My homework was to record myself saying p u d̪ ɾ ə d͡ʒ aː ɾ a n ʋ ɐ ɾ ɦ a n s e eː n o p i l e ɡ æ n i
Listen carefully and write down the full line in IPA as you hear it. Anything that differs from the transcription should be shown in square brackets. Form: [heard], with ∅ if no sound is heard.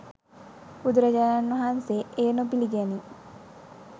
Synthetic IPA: p u d̪ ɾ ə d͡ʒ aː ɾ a n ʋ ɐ [∅] ɦ a n s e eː n o p i l [i] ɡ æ n i